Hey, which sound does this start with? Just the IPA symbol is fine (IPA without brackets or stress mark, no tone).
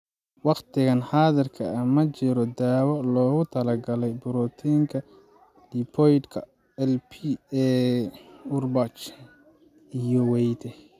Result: w